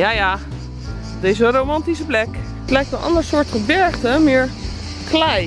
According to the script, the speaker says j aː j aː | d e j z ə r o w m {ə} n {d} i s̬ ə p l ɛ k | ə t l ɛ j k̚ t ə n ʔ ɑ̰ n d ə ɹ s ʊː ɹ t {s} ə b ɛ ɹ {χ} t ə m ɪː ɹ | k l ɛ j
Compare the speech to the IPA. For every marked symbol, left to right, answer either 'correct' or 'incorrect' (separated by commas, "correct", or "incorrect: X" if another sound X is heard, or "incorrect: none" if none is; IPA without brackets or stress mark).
incorrect: ɑ, incorrect: t, incorrect: χ, correct